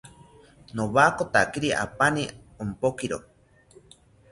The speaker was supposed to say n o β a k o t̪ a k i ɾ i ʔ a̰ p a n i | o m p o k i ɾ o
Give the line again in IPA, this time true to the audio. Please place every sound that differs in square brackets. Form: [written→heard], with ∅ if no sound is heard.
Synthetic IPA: n o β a k o t̪ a k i ɾ i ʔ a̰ p a n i | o m p o k i ɾ o